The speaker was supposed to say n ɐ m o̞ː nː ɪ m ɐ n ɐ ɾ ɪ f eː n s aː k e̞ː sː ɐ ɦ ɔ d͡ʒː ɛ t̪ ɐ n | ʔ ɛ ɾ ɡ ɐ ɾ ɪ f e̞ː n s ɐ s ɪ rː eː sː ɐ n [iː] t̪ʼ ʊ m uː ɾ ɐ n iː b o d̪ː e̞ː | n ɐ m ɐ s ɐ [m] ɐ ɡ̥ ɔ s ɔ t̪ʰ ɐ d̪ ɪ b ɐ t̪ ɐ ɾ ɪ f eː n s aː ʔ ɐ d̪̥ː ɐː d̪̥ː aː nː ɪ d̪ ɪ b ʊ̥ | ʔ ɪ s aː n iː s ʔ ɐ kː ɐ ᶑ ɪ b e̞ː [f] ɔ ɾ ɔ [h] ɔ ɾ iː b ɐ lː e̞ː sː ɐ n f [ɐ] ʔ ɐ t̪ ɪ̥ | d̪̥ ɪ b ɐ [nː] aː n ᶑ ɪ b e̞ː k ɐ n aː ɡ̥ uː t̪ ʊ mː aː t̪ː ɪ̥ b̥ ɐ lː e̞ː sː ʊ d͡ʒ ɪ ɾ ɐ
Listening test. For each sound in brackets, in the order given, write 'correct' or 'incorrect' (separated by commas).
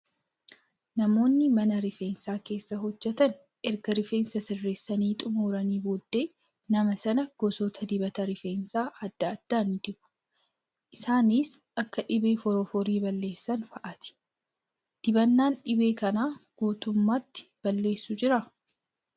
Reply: correct, incorrect, correct, incorrect, correct, correct